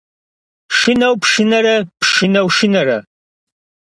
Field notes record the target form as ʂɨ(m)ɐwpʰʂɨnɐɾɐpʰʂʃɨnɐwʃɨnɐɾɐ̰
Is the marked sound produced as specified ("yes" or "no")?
no